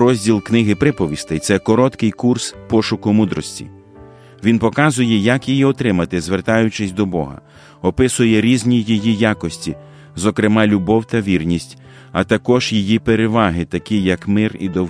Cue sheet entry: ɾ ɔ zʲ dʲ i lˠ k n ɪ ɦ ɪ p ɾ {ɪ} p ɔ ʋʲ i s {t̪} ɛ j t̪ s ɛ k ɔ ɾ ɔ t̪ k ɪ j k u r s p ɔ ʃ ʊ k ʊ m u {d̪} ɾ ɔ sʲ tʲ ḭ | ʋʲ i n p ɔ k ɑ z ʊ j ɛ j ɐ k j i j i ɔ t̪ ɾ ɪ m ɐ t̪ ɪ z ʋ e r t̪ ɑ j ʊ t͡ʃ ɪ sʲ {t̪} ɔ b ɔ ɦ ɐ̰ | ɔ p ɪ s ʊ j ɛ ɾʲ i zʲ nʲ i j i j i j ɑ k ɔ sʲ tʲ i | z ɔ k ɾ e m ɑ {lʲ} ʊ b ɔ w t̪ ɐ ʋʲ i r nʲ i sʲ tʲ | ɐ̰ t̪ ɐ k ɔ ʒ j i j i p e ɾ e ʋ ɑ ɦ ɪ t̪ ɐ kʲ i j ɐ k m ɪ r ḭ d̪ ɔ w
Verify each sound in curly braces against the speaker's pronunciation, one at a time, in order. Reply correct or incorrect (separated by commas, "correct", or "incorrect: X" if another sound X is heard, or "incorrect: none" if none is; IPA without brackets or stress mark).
correct, correct, correct, incorrect: d̪, correct